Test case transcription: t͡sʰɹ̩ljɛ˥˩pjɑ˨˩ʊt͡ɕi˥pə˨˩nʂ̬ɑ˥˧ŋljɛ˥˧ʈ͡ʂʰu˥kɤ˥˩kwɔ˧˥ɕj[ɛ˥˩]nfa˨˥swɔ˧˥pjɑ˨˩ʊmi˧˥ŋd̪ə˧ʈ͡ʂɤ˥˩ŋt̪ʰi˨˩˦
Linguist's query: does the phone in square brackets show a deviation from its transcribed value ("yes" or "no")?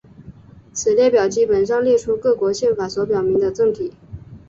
no